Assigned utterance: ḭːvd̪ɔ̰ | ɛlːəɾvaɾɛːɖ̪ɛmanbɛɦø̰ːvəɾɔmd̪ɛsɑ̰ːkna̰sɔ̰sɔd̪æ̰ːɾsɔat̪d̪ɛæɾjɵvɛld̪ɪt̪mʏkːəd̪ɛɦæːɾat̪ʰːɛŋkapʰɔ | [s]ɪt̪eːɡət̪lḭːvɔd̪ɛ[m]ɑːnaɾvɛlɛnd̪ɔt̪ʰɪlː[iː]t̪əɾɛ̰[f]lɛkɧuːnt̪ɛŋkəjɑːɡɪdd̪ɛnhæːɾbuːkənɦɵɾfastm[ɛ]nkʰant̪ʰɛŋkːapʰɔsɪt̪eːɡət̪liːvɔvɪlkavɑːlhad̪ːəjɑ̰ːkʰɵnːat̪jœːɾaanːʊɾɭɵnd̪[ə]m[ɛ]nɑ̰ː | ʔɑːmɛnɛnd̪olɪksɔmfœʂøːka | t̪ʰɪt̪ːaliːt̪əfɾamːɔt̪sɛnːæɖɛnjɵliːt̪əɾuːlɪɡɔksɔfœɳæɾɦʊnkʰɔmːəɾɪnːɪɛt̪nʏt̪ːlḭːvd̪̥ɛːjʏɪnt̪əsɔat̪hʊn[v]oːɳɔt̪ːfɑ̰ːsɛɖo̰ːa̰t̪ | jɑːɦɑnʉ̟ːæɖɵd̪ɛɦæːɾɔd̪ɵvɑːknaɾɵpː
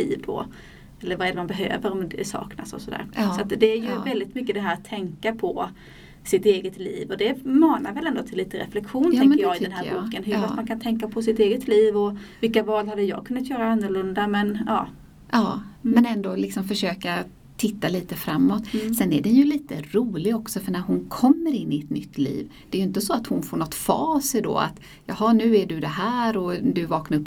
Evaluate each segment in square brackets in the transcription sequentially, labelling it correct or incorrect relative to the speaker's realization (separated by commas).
correct, correct, correct, correct, incorrect, incorrect, correct, incorrect